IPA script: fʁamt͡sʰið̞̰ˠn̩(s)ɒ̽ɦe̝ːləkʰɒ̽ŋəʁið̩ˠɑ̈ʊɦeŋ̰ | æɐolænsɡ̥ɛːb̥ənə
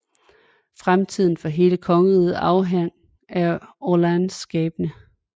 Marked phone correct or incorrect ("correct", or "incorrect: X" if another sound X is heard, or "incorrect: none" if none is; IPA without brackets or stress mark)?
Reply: incorrect: f